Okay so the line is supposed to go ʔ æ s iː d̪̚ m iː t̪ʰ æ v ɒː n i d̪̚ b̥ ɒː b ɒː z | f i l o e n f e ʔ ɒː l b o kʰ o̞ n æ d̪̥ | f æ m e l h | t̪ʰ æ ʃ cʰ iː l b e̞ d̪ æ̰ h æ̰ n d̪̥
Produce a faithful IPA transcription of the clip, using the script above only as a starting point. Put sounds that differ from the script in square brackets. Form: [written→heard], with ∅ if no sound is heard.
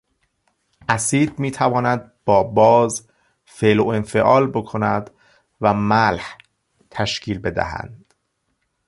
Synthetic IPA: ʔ æ s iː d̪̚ m iː t̪ʰ æ v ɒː n [i→æ] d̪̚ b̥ ɒː b ɒː z | f [i→e] l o e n f e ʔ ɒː l b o kʰ o̞ n æ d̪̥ | [f→v] æ m [e→æ] l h | t̪ʰ æ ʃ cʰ iː l b e̞ d̪ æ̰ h æ̰ n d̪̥